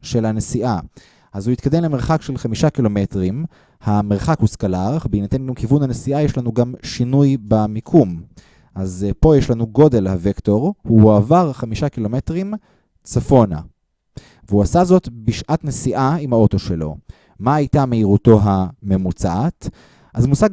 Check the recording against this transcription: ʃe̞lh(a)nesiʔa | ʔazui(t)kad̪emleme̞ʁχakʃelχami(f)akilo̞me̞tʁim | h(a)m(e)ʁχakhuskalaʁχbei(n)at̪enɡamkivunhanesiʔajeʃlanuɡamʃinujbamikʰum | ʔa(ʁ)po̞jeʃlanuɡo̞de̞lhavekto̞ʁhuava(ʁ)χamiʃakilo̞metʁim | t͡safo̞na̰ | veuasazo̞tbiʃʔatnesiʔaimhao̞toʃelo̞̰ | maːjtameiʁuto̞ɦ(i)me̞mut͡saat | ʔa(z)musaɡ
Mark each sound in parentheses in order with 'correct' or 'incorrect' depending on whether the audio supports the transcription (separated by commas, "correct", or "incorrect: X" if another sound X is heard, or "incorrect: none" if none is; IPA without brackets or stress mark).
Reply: correct, correct, incorrect: ʃ, correct, correct, correct, incorrect: z, correct, incorrect: a, correct